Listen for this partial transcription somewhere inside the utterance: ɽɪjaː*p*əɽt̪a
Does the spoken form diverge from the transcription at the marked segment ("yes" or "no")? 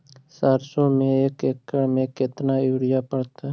no